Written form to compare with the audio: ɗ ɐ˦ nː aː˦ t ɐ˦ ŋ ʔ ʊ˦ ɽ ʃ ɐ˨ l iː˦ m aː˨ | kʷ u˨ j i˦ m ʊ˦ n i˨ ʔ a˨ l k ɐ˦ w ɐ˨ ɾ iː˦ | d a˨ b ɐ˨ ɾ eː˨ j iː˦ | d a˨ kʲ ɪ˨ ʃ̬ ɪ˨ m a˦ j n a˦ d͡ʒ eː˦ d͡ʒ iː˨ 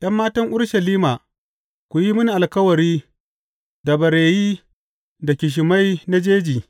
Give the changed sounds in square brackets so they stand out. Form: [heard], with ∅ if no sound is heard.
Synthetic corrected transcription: ɗ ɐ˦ [mː] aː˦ t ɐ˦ ŋ ʔ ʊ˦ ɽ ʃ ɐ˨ l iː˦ m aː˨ | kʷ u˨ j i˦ m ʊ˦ n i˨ ʔ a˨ l k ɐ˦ w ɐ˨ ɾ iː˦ | d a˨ b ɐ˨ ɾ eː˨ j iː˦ | d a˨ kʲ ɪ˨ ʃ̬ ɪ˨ m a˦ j n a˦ d͡ʒ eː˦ d͡ʒ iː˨

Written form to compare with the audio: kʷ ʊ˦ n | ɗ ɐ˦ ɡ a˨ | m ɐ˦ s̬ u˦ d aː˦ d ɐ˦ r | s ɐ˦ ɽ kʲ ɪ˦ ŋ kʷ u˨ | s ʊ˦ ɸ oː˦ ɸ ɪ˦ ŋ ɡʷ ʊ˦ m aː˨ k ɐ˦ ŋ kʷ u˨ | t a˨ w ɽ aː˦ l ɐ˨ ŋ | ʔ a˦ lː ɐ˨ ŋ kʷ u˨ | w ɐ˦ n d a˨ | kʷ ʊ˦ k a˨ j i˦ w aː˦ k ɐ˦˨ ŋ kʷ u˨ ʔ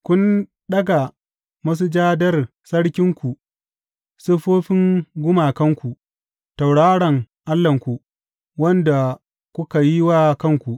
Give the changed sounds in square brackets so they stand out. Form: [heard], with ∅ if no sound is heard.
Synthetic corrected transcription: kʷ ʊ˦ n | ɗ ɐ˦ ɡ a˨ | m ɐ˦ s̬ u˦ [d͡ʒ] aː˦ d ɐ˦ r | s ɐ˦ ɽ kʲ ɪ˦ ŋ kʷ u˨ | s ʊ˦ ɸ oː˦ ɸ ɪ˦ ŋ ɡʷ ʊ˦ m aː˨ k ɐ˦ ŋ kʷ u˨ | t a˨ w ɽ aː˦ [ɽ] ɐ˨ ŋ | ʔ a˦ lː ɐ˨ ŋ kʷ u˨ | w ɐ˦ n d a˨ | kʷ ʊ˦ k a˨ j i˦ w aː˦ k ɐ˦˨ ŋ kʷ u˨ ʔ

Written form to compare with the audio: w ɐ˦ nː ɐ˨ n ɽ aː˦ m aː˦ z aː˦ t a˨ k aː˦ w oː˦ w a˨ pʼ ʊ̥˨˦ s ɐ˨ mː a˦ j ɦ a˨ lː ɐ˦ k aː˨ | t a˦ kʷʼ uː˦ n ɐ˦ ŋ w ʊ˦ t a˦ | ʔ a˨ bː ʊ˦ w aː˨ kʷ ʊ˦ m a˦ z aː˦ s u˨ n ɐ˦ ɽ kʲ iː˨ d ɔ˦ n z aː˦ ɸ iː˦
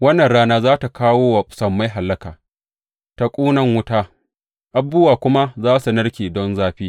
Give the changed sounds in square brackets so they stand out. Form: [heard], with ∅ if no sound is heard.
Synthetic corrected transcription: w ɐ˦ nː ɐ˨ n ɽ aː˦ [n] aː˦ z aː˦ t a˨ k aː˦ w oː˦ w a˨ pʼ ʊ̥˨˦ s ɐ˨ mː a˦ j ɦ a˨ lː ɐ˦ k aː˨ | t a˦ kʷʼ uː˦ n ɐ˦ ŋ w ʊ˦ t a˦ | ʔ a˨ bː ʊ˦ w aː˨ kʷ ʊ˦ m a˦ z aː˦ s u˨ n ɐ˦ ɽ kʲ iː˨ d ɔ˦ n z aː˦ ɸ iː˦

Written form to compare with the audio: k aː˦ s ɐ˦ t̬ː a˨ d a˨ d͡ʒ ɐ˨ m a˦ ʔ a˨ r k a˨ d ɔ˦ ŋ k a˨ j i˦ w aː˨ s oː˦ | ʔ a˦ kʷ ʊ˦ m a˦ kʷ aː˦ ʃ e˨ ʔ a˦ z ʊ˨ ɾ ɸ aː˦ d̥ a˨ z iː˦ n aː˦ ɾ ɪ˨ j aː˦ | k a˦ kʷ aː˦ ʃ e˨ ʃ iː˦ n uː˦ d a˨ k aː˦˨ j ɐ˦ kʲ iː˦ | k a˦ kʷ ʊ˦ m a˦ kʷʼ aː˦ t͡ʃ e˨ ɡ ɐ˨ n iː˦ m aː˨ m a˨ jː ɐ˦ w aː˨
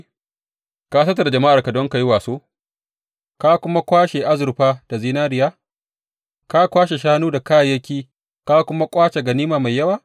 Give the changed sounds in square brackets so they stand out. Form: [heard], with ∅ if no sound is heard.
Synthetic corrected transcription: k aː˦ s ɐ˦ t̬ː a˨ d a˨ d͡ʒ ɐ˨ m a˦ ʔ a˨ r k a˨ d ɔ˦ ŋ k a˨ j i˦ w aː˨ s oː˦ | [k] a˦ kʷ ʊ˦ m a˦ kʷ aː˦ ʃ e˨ ʔ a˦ z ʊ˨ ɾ ɸ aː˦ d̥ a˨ z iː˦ n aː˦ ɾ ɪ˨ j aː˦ | k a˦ kʷ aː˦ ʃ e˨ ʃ [aː˦] n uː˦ d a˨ k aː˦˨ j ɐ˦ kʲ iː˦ | k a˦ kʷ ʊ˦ m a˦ kʷʼ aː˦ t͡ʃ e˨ ɡ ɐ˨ n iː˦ m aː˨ m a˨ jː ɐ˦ w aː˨

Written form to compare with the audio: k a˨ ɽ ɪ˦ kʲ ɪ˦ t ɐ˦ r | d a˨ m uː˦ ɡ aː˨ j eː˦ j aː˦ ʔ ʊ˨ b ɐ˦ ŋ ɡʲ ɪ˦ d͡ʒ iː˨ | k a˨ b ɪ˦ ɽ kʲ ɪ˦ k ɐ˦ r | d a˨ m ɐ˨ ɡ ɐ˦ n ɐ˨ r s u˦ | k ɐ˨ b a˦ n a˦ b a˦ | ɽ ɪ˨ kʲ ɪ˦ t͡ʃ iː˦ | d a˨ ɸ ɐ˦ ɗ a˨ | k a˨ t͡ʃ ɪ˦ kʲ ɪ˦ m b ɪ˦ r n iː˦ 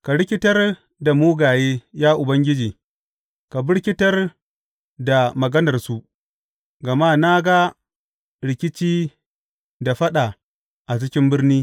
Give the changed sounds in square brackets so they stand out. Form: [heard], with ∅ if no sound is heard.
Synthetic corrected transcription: k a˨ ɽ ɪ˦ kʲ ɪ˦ t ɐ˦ r | d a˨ m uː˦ ɡ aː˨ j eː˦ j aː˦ ʔ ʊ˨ b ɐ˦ ŋ ɡʲ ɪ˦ d͡ʒ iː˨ | k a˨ b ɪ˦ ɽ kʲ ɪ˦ [t] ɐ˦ r | d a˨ m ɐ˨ ɡ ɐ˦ n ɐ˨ r s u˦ | [ɡ] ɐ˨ [m] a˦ n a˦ [ɡ] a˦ | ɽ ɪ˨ kʲ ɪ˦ t͡ʃ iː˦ | d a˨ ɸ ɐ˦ ɗ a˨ | [ʔ] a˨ t͡ʃ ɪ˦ kʲ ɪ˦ m b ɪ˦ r n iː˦

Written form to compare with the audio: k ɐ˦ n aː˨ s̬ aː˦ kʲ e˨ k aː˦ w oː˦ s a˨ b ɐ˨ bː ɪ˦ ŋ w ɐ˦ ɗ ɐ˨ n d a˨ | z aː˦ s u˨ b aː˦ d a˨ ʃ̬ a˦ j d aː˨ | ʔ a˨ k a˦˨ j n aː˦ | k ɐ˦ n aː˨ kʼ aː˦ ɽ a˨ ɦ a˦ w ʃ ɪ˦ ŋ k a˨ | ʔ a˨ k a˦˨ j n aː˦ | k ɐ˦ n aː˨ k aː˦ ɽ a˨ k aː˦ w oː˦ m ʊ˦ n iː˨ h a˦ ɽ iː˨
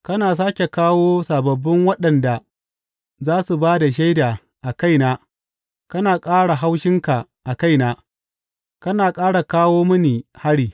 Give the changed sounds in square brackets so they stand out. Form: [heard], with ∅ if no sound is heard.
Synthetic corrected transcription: k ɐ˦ n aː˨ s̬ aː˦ kʲ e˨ k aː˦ w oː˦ s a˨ b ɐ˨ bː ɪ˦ ŋ w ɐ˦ ɗ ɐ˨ n d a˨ | z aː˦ s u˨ b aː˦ d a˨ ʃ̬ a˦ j d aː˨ | ʔ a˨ k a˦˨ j n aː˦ | k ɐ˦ n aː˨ kʼ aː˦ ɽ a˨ ɦ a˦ w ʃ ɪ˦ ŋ k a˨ | ʔ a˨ k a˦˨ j n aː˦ | k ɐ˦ n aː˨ [kʼ] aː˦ ɽ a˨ k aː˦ w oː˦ m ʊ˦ n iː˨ h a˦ ɽ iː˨

